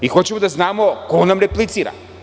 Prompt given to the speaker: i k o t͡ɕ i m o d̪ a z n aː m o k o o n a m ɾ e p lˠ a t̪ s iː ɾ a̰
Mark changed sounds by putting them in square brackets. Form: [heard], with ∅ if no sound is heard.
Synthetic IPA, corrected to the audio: i [x] o t͡ɕ [e] m o d̪ a z n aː m o k o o n a m ɾ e p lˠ [i] t̪ s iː ɾ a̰